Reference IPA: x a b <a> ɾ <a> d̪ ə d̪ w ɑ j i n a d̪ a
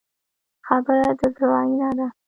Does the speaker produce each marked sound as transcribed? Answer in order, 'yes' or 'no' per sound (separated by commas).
no, yes